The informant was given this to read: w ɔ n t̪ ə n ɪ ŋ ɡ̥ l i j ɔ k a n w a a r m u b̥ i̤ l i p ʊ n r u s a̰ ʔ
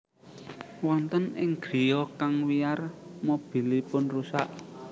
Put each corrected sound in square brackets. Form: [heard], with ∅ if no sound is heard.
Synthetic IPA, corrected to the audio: w ɔ n t̪ ə n ɪ ŋ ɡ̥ [ɾ] i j ɔ k a [ŋ] w [i] a r m [o] b̥ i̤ l i p ʊ n r u s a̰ ʔ